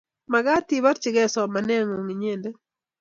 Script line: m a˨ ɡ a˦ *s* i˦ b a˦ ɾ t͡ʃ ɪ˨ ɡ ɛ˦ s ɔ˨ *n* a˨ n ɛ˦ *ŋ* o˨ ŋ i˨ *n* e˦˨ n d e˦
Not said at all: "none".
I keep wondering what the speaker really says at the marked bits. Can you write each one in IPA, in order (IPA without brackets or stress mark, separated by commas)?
t, m, ŋ, ɲ